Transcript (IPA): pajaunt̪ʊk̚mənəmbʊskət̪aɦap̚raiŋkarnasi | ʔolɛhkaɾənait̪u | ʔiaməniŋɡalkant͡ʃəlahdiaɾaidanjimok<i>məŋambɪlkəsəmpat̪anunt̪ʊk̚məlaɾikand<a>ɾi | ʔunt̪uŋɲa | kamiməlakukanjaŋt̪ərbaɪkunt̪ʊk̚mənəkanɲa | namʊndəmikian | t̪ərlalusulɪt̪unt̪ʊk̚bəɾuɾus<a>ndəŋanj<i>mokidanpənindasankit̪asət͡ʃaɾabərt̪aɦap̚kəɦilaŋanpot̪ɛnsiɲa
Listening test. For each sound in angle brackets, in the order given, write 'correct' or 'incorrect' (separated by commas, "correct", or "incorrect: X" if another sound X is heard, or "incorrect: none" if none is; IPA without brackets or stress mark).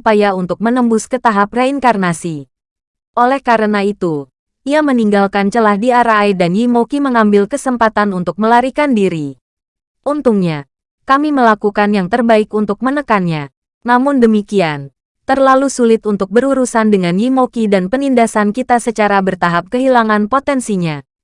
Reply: correct, incorrect: i, correct, correct